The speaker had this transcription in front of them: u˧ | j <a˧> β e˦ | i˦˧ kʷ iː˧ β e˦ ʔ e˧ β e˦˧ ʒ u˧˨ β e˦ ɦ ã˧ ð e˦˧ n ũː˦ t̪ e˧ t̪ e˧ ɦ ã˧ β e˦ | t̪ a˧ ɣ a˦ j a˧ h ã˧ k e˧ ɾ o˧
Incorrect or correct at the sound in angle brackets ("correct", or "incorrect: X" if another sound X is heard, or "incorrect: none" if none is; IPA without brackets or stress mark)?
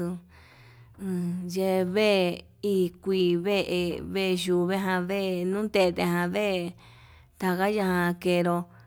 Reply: incorrect: e˧